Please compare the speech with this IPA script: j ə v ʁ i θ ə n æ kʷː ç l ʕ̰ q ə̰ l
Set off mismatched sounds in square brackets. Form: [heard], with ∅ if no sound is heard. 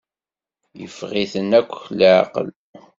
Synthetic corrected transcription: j ə [f] ʁ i θ ə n æ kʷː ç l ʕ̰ q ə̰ l

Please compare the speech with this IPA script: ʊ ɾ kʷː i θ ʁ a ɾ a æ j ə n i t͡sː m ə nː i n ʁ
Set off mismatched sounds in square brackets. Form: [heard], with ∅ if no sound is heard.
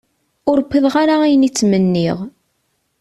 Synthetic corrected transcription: ʊ ɾ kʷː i [ð] ʁ a ɾ a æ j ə n i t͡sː m ə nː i [∅] ʁ

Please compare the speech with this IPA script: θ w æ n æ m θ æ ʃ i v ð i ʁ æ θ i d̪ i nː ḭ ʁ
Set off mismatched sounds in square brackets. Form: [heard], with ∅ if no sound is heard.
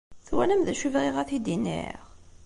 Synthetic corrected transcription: θ w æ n æ m [ð] æ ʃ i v [ʁ] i ʁ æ θ i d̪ i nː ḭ ʁ

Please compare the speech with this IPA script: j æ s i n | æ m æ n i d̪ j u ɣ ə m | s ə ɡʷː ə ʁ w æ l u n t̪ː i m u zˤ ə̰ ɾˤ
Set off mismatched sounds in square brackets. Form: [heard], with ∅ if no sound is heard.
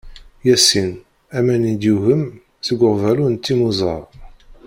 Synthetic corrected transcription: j æ s i n | æ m æ n i d̪ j u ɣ ə m | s ə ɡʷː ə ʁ [v] æ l u n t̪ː i m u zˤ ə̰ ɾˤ

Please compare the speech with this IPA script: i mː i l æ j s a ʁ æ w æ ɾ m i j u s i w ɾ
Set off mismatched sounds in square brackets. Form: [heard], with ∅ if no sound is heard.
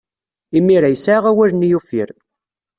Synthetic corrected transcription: i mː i [ɾ] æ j s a ʁ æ w æ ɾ [n] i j u [f] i [∅] ɾ

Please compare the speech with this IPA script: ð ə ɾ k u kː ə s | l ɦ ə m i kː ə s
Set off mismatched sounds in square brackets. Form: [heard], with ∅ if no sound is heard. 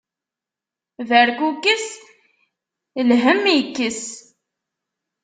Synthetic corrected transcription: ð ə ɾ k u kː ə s | l ɦ ə m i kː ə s

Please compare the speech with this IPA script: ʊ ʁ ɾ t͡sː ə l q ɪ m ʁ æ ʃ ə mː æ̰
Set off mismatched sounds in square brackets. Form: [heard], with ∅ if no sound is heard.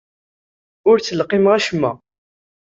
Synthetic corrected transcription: ʊ [∅] ɾ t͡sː ə l q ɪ m ʁ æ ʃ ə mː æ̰

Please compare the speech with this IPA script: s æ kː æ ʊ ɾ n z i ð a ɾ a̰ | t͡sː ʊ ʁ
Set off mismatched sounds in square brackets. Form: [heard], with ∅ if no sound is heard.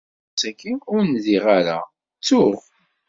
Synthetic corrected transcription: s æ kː [i] ʊ ɾ n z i [ʁ] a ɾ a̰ | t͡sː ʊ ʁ

